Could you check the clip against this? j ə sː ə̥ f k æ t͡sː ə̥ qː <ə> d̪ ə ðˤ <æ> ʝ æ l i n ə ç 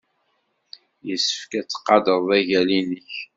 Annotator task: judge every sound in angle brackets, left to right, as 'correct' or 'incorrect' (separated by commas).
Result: incorrect, correct